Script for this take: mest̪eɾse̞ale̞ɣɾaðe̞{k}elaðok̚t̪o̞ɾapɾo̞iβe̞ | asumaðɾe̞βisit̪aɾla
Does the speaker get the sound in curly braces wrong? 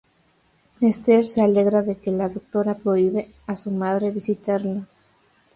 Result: no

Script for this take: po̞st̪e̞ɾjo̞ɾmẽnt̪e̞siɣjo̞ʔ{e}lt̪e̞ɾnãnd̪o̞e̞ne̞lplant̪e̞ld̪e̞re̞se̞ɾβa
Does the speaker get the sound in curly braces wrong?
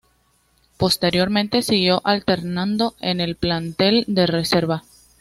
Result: yes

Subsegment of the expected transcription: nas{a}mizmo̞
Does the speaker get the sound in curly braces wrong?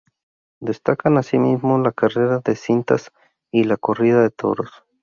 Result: yes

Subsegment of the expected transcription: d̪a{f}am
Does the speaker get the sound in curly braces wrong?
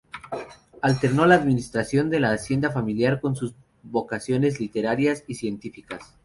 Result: no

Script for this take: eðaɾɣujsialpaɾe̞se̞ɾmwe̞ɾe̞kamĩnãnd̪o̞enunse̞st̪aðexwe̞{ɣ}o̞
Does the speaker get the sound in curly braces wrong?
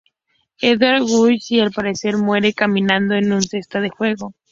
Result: no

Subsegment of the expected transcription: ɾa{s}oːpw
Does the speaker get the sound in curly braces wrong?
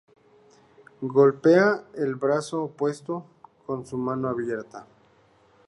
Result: no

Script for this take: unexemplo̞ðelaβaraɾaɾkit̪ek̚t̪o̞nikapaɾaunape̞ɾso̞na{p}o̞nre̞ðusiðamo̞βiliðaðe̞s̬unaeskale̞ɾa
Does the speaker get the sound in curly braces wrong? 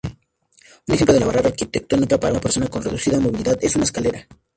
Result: yes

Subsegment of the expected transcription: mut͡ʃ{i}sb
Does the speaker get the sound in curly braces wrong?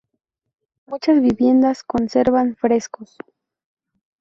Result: yes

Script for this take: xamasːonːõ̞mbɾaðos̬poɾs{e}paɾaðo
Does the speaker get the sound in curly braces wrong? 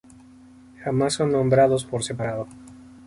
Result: no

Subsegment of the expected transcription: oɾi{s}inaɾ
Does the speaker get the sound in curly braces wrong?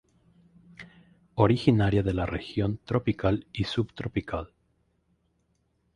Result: yes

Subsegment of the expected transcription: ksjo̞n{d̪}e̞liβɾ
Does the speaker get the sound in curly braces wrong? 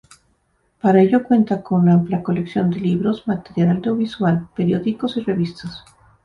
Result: no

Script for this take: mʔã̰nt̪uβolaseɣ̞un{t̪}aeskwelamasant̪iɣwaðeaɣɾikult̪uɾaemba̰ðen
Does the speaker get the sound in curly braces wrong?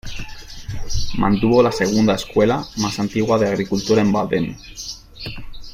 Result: yes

